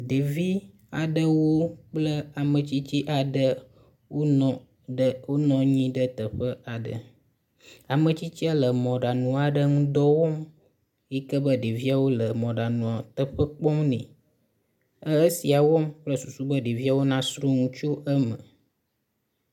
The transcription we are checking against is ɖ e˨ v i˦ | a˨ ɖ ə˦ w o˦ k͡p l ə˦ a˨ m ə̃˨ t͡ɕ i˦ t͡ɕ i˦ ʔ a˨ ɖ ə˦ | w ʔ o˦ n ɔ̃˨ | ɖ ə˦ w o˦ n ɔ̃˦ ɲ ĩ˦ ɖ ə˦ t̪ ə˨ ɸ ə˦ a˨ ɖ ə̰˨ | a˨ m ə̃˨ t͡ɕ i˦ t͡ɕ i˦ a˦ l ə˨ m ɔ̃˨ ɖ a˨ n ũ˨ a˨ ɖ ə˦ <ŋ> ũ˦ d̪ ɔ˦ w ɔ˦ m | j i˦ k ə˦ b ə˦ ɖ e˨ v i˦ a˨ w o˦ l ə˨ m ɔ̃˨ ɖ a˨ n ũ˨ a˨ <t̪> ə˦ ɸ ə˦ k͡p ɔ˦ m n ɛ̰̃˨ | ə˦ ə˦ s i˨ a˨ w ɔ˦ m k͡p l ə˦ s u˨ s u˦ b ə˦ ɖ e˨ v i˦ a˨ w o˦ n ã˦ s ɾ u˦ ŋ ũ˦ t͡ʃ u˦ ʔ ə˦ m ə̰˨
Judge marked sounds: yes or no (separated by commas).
yes, yes